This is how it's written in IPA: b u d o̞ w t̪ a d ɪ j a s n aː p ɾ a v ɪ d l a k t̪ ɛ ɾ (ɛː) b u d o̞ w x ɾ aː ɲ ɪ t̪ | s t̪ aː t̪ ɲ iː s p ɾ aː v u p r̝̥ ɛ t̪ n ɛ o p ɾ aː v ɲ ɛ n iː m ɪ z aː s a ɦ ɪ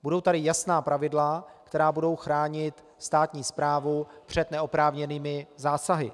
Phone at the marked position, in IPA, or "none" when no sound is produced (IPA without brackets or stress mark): aː